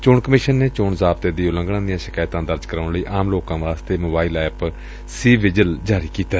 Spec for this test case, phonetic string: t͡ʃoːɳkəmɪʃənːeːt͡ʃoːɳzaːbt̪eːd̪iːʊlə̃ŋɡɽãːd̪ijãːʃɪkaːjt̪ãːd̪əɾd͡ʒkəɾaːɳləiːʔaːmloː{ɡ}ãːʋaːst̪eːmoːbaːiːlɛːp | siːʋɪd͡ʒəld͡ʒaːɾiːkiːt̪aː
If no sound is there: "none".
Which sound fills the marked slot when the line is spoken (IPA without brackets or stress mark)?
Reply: k